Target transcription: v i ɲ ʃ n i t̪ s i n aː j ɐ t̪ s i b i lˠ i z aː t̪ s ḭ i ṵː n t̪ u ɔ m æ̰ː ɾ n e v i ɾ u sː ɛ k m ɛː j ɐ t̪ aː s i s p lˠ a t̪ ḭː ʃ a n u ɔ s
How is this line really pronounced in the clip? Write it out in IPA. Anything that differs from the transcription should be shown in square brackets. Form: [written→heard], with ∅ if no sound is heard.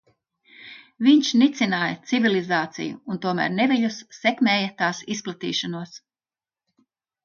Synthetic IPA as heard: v i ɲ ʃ n i t̪ s i n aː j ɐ t̪ s i [b→v] i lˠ i z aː t̪ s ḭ [i→j] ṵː n t̪ u ɔ m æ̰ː ɾ n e v i [ɾ→ʎ] u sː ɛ k m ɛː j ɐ t̪ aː s i s p lˠ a t̪ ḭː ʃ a n u ɔ s